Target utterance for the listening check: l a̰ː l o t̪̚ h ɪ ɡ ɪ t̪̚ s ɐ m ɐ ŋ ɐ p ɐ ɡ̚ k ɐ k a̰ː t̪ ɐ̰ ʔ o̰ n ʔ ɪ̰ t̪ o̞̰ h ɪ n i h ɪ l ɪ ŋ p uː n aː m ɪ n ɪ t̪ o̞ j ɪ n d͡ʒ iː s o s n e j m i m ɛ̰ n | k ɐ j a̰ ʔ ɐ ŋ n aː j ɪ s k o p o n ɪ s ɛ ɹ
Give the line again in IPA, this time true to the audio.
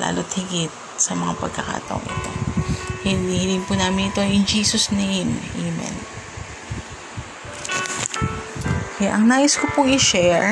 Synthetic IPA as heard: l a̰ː l o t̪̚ h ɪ ɡ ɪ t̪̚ s ɐ m ɐ ŋ a p ɐ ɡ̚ k ɐ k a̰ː t̪ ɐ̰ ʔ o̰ ŋ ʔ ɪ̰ t̪ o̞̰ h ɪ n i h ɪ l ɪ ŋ p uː n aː m ɪ n ɪ t̪ o̞ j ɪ n d͡ʒ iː s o s n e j m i m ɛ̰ n | k ɐ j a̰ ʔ ɐ ŋ n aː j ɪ s k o p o ŋ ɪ ʃ ɛ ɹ